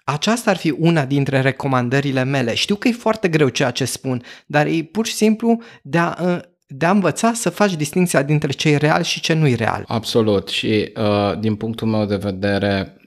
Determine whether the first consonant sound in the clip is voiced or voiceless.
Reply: voiceless